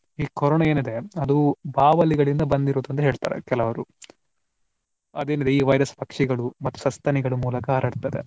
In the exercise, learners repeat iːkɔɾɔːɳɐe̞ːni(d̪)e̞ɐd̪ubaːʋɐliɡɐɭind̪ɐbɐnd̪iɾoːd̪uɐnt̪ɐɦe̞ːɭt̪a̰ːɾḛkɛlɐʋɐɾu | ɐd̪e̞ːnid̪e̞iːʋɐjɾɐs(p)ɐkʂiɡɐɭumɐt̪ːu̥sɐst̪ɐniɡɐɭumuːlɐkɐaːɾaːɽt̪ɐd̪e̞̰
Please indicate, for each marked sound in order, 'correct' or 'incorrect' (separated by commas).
correct, correct